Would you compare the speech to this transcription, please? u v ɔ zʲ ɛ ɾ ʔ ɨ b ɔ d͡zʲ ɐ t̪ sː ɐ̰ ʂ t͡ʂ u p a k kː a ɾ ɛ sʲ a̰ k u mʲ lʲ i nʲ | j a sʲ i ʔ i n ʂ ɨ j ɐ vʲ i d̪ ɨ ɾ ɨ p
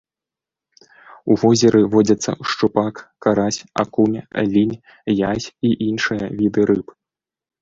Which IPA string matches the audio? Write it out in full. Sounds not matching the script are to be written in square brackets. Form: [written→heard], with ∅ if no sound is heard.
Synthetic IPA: u v ɔ zʲ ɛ ɾ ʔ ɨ [b→v] ɔ d͡zʲ ɐ t̪ sː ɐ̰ ʂ t͡ʂ u p a k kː a ɾ [ɛ→a] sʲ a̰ k u mʲ lʲ i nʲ | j a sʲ i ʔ i n ʂ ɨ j ɐ vʲ i d̪ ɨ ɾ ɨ p